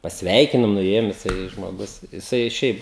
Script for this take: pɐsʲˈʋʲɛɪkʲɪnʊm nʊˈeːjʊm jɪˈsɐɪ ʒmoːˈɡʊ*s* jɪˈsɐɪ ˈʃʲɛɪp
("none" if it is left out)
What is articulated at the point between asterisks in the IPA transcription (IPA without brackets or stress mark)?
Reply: s